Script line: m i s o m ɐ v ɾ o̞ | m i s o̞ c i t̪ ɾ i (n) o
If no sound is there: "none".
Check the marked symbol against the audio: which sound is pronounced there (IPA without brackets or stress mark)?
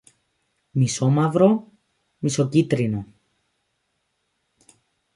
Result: n